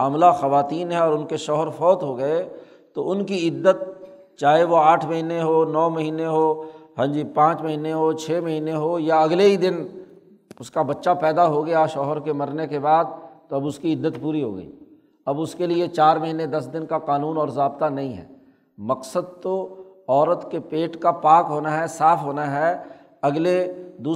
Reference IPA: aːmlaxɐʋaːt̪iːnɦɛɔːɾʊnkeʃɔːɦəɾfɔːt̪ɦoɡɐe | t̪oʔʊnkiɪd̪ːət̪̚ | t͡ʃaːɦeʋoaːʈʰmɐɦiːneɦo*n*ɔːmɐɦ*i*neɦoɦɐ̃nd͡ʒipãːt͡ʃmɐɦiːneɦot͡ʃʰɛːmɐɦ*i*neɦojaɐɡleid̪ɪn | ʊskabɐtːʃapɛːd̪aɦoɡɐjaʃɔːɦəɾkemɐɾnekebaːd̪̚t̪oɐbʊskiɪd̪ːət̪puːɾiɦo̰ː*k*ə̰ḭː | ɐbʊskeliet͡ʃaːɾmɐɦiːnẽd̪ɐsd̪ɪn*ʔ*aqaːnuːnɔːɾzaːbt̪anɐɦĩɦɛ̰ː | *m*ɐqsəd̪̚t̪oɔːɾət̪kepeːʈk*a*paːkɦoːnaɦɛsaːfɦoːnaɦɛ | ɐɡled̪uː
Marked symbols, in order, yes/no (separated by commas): yes, no, no, no, no, yes, yes